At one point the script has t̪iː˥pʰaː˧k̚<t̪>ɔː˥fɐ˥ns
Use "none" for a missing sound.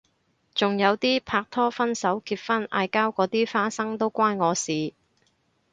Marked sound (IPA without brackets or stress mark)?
t̪ʰ